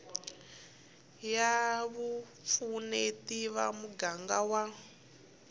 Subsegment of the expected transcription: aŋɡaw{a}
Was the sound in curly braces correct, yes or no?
yes